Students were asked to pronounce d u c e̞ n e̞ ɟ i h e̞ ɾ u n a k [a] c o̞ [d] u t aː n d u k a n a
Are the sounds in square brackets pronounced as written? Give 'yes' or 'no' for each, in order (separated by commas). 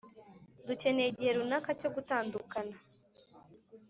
yes, no